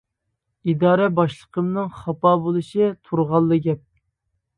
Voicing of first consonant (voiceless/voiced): voiced